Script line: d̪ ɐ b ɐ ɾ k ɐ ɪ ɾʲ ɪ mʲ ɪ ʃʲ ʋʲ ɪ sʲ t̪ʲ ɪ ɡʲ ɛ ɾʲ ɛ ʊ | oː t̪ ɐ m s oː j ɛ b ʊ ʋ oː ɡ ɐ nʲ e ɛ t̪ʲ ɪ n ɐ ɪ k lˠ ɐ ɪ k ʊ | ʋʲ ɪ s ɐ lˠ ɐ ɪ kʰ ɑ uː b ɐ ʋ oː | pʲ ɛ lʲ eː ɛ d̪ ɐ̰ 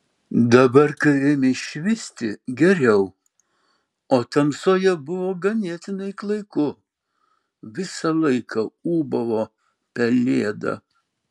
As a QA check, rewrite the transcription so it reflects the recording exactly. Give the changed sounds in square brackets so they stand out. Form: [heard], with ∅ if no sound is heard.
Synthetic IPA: d̪ ɐ b ɐ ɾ k ɐ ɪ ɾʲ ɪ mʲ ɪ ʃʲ ʋʲ ɪ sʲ t̪ʲ ɪ ɡʲ ɛ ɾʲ ɛ ʊ | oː t̪ ɐ m s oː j ɛ b ʊ ʋ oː ɡ ɐ nʲ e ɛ t̪ʲ ɪ n ɐ ɪ k lˠ ɐ ɪ k ʊ | ʋʲ ɪ s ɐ lˠ ɐ ɪ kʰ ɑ uː b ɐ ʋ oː | pʲ ɛ lʲ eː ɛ d̪ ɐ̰

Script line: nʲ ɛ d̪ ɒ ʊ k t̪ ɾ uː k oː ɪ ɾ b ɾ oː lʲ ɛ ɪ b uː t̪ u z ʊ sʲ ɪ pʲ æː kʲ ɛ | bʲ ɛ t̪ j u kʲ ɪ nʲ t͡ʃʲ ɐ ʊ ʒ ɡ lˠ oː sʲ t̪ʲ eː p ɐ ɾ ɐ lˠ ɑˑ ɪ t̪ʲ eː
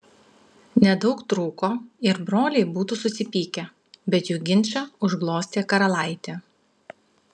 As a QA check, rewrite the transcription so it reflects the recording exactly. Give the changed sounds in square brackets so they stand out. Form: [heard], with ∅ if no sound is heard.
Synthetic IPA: nʲ ɛ d̪ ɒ ʊ k t̪ ɾ uː k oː ɪ ɾ b ɾ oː lʲ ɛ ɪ b uː t̪ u [s] ʊ sʲ ɪ pʲ [iː] kʲ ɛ | bʲ ɛ t̪ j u [ɡʲ] ɪ nʲ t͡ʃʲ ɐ ʊ ʒ ɡ lˠ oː sʲ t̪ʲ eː [k] ɐ ɾ ɐ lˠ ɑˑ ɪ t̪ʲ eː

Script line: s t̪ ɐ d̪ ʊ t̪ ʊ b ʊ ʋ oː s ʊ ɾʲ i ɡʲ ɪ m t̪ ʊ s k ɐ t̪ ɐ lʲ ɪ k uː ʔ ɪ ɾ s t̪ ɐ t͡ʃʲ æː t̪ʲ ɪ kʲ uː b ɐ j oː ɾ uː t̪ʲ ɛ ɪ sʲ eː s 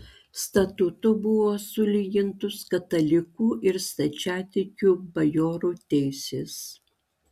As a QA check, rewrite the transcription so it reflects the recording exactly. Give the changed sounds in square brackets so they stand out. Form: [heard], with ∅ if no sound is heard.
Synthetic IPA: s t̪ ɐ [t̪] ʊ t̪ ʊ b ʊ ʋ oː s ʊ [lʲ] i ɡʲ ɪ [n] t̪ ʊ s k ɐ t̪ ɐ lʲ ɪ k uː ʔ ɪ ɾ s t̪ ɐ t͡ʃʲ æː t̪ʲ ɪ kʲ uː b ɐ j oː ɾ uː t̪ʲ ɛ ɪ sʲ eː s

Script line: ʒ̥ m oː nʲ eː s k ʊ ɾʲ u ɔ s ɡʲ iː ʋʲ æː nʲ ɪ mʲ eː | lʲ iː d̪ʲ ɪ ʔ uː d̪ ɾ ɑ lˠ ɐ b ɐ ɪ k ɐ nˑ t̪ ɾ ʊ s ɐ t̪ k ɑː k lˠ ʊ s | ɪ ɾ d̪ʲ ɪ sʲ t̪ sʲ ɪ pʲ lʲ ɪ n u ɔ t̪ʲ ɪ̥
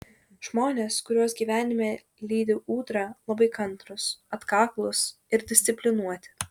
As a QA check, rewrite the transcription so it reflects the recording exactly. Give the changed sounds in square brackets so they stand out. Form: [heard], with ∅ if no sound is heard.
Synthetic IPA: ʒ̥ m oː nʲ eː s k ʊ ɾʲ u ɔ s ɡʲ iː ʋʲ æː nʲ ɪ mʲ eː | lʲ iː d̪ʲ ɪ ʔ uː [t̪] ɾ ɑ lˠ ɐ b ɐ ɪ k ɐ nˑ t̪ ɾ ʊ s ɐ t̪ k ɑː k lˠ ʊ s | ɪ ɾ d̪ʲ ɪ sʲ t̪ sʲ ɪ pʲ lʲ ɪ n u ɔ t̪ʲ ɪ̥

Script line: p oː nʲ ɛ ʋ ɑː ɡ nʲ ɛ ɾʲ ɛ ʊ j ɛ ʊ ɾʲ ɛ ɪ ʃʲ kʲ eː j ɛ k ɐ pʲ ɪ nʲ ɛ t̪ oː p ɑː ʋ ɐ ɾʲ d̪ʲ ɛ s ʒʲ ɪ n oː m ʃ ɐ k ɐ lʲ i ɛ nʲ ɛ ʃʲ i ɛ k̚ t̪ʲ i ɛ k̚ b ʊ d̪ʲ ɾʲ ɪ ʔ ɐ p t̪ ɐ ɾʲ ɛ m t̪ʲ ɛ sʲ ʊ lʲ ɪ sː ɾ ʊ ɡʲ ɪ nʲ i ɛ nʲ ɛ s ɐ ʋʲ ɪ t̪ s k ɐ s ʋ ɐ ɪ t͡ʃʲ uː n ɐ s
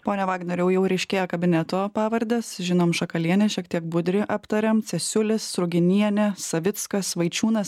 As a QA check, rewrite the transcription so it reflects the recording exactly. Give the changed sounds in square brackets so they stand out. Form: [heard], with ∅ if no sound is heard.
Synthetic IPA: p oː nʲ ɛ ʋ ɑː ɡ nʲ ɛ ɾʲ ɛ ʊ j ɛ ʊ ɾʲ ɛ ɪ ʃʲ kʲ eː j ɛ k ɐ [bʲ] ɪ nʲ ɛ t̪ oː p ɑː ʋ ɐ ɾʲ d̪ʲ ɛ s ʒʲ ɪ n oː m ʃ ɐ k ɐ lʲ i ɛ nʲ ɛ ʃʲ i ɛ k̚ t̪ʲ i ɛ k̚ b ʊ d̪ʲ ɾʲ ɪ ʔ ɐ p t̪ ɐ ɾʲ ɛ m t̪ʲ ɛ sʲ ʊ lʲ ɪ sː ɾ ʊ ɡʲ ɪ nʲ i ɛ nʲ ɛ s ɐ ʋʲ ɪ t̪ s k ɐ s ʋ ɐ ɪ t͡ʃʲ uː n ɐ s

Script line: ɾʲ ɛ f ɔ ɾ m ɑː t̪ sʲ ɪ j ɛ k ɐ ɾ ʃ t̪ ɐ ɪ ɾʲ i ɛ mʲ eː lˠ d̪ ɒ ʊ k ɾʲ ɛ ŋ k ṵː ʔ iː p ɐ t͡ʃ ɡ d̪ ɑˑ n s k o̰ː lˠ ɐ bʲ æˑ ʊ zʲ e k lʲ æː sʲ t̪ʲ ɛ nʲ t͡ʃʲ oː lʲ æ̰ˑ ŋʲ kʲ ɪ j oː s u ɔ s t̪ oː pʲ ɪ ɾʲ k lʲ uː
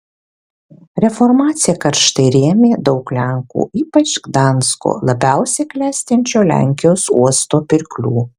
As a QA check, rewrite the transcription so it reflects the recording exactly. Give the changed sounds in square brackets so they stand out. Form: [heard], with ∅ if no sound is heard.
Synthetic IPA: ɾʲ ɛ f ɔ ɾ m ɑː t̪ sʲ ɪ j ɛ k ɐ ɾ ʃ t̪ ɐ ɪ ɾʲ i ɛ mʲ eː [∅] d̪ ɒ ʊ k [lʲ] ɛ ŋ k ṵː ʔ iː p ɐ t͡ʃ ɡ d̪ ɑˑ n s k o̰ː lˠ ɐ bʲ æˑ ʊ [sʲ] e k lʲ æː sʲ t̪ʲ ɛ nʲ t͡ʃʲ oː lʲ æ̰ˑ ŋʲ kʲ ɪ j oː s u ɔ s t̪ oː pʲ ɪ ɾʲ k lʲ uː

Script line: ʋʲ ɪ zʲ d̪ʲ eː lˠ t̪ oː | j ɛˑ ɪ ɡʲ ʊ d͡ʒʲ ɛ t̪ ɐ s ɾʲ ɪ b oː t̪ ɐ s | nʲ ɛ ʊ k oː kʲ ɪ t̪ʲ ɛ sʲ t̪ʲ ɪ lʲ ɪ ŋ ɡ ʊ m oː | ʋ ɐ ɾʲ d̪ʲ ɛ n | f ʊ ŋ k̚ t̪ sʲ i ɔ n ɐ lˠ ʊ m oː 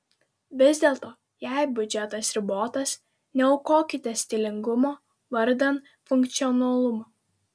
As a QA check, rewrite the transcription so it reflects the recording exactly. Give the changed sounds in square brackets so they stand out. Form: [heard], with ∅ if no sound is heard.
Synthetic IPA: ʋʲ ɪ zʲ d̪ʲ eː lˠ t̪ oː | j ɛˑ ɪ [bʲ] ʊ d͡ʒʲ ɛ t̪ ɐ s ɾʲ ɪ b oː t̪ ɐ s | nʲ ɛ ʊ k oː kʲ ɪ t̪ʲ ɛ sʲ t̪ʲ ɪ lʲ ɪ ŋ ɡ ʊ m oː | ʋ ɐ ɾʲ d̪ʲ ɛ n | f ʊ ŋ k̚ t̪ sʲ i ɔ n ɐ lˠ ʊ m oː

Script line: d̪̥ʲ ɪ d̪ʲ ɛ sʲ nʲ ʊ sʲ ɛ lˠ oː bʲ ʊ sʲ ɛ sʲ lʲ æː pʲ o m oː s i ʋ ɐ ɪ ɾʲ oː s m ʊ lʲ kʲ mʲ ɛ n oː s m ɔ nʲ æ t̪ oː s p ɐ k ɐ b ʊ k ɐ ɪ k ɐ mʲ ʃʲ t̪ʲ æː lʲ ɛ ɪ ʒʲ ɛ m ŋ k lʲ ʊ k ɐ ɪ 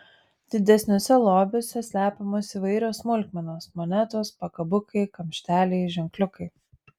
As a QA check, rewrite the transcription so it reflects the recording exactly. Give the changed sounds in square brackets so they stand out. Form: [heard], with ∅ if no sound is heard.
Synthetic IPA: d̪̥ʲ ɪ d̪ʲ ɛ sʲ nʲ ʊ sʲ ɛ lˠ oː bʲ ʊ sʲ ɛ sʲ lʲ æː pʲ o m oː s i ʋ ɐ ɪ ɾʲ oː s m ʊ lʲ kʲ mʲ ɛ n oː s m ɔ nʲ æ t̪ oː s p ɐ k ɐ b ʊ k ɐ ɪ k ɐ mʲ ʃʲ t̪ʲ æː lʲ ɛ ɪ ʒʲ ɛ [∅] ŋ k lʲ ʊ k ɐ ɪ

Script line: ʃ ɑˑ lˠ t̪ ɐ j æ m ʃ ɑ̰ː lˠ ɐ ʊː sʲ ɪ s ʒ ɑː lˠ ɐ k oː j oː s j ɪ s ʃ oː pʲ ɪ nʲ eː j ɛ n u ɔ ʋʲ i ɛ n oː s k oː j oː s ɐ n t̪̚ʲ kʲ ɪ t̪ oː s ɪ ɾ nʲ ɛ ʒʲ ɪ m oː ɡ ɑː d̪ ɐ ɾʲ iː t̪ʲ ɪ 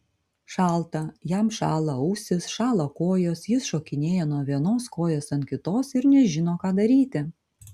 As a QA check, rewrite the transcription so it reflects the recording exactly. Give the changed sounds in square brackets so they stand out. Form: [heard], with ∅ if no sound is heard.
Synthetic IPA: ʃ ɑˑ lˠ t̪ ɐ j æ m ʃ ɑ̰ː lˠ ɐ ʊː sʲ ɪ s [ʃ] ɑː lˠ ɐ k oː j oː s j ɪ s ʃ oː [kʲ] ɪ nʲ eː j ɛ n u ɔ ʋʲ i ɛ n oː s k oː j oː s ɐ n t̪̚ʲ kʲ ɪ t̪ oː s ɪ ɾ nʲ ɛ ʒʲ ɪ [n] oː [k] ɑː d̪ ɐ ɾʲ iː t̪ʲ ɪ

